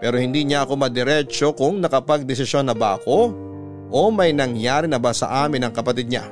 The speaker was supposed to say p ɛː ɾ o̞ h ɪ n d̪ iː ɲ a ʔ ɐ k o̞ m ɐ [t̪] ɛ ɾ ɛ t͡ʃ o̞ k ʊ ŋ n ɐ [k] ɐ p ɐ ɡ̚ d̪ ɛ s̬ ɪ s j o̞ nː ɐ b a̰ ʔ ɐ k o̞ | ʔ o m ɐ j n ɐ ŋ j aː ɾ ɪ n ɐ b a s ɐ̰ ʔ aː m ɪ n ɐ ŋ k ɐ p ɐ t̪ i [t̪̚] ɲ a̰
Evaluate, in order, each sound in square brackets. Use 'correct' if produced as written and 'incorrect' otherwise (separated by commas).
incorrect, correct, incorrect